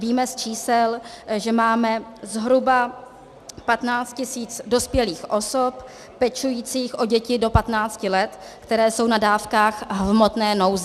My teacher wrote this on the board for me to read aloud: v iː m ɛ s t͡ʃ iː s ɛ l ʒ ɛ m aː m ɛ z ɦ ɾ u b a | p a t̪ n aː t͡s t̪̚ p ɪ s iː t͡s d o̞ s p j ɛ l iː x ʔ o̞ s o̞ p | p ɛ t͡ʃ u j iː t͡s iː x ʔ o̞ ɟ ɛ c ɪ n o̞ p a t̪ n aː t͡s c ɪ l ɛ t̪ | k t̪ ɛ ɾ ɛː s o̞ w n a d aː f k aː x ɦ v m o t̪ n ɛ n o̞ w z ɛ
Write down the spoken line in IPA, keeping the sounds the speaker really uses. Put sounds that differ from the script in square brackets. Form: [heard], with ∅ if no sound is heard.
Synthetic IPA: v iː m ɛ s t͡ʃ iː s ɛ l ʒ ɛ m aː m ɛ z ɦ ɾ u b a | p a t̪ n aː t͡s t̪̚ [c] ɪ s iː t͡s d o̞ s p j ɛ l iː x ʔ o̞ s o̞ p | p ɛ t͡ʃ u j iː t͡s iː x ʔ o̞ ɟ ɛ c ɪ [d] o̞ p a t̪ n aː t͡s c ɪ l ɛ t̪ | k t̪ ɛ ɾ ɛː s o̞ w n a d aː f k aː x ɦ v m o t̪ n [ɛː] n o̞ w z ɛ